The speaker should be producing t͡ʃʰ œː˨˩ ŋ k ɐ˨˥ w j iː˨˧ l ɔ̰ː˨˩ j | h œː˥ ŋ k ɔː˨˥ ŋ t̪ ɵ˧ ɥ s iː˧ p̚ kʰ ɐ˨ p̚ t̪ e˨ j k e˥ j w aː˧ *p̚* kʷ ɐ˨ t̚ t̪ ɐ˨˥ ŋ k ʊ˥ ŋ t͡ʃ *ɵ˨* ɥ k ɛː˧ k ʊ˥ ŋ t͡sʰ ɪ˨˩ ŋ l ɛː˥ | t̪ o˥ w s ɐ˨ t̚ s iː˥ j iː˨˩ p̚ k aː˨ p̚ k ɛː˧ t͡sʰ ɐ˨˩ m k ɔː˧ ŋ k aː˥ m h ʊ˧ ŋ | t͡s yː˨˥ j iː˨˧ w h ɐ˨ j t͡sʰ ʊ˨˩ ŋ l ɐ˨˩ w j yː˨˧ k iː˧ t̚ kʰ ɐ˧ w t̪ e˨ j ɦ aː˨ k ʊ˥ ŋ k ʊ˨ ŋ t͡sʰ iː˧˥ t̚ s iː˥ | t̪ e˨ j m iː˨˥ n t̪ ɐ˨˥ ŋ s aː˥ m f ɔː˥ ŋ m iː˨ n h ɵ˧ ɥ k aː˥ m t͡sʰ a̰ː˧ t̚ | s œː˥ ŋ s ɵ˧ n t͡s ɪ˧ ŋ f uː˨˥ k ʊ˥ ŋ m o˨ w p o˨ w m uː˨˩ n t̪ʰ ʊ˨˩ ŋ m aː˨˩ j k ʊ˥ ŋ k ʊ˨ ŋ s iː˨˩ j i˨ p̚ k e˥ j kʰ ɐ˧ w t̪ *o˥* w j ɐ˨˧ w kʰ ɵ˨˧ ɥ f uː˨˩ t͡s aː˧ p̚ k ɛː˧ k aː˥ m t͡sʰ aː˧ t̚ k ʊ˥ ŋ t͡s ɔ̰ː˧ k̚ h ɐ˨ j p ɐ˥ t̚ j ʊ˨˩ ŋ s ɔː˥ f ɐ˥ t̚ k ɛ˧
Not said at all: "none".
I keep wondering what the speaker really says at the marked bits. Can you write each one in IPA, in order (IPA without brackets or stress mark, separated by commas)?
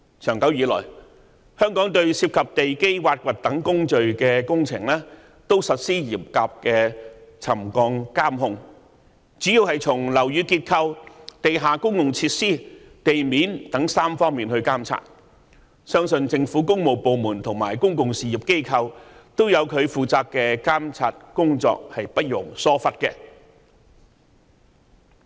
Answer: t̚, ɵ˨, o˥